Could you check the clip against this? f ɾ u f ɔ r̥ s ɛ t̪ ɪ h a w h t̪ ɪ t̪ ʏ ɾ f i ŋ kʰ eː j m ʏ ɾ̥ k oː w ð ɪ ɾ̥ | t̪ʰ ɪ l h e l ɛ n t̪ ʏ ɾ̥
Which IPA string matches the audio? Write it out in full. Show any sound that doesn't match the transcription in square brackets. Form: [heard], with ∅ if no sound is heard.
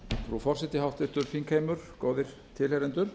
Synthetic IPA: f ɾ u f ɔ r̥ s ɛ t̪ ɪ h a w h t̪ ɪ t̪ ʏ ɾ f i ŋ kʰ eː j m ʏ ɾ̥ k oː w ð ɪ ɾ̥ | t̪ʰ ɪ l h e [ɾ] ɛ n t̪ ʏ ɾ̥

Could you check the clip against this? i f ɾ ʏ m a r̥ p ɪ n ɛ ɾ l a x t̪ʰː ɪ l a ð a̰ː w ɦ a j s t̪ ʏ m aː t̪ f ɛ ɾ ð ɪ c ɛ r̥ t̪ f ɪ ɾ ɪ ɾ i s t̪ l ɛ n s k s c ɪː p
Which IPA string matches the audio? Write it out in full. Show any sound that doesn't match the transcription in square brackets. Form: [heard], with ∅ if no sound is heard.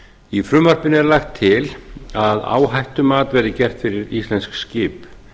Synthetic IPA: i f ɾ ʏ m a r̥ p ɪ n ɛ ɾ l a x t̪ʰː ɪ l a ð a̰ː w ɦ a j [h] t̪ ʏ m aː t̪ [v] ɛ ɾ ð ɪ c ɛ r̥ t̪ f ɪ ɾ ɪ ɾ i s t̪ l ɛ n s k s c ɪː p

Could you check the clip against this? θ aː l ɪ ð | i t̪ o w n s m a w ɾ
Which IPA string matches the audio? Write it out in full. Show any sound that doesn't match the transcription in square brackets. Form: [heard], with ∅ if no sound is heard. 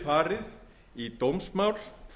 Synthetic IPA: [f] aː [ɾ] ɪ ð | i t̪ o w [m] s m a w [l]

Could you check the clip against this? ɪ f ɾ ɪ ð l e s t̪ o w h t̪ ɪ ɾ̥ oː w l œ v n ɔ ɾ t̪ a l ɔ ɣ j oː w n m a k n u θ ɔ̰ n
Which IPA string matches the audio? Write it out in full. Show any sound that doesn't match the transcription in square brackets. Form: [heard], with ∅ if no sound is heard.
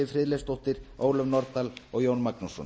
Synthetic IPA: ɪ f ɾ ɪ ð l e s t̪ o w h t̪ ɪ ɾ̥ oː w l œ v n ɔ ɾ t̪ a l ɔ ɣ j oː w n m a k n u [s] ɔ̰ n

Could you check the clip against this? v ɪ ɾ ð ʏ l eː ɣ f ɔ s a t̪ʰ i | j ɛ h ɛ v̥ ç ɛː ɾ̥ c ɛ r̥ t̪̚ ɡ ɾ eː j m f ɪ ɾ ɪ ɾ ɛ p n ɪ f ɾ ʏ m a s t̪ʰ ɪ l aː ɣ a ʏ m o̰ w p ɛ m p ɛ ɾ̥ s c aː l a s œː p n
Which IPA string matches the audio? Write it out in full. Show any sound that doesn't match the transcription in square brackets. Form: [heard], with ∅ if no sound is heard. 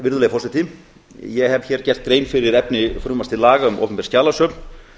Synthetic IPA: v ɪ ɾ ð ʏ l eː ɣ f ɔ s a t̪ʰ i | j ɛ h ɛ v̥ ç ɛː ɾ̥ c ɛ r̥ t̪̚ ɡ ɾ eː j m f ɪ ɾ ɪ ɾ ɛ p n ɪ f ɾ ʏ m a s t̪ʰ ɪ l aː ɣ a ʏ m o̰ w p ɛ m p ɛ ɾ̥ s c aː l a s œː p n

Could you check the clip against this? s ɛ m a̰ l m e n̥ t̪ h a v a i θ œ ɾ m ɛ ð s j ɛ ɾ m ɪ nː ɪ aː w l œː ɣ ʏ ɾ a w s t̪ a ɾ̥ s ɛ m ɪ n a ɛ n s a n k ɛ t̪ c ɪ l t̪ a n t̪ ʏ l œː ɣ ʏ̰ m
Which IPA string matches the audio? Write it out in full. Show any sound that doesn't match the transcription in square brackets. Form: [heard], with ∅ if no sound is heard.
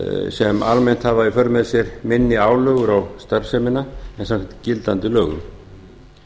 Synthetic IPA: s ɛ m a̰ l m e n̥ t̪ h a v a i [f] œ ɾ m ɛ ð s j ɛ ɾ m ɪ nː ɪ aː w l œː ɣ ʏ ɾ a w s t̪ a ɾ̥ s ɛ m ɪ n a ɛ n s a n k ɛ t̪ c ɪ l t̪ a n t̪ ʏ l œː ɣ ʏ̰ m

